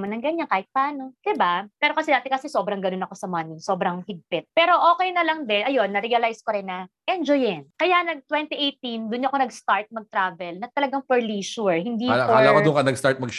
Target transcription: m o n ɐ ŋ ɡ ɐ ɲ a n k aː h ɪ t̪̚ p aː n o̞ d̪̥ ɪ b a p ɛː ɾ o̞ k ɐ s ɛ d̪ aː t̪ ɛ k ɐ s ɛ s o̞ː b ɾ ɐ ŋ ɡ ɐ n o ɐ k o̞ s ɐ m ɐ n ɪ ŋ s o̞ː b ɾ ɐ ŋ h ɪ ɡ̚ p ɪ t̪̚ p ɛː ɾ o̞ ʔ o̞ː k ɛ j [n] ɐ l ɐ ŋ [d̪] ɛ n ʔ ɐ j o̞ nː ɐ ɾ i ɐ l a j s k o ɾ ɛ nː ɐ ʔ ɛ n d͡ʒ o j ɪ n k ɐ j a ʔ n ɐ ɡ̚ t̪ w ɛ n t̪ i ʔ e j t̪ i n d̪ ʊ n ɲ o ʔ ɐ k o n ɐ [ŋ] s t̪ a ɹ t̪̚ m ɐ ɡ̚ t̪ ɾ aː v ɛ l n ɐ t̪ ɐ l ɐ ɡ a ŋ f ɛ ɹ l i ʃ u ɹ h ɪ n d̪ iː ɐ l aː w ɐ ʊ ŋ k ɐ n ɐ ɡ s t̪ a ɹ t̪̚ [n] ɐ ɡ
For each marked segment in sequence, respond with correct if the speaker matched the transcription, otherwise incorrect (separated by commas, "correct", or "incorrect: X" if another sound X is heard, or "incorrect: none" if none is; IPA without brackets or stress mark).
correct, correct, incorrect: ɡ, incorrect: m